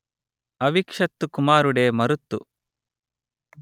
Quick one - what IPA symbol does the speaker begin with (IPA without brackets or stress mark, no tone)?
ɐ